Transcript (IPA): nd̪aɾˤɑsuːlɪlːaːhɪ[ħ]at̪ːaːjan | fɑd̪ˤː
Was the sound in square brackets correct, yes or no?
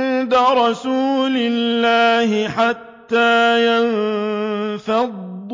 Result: yes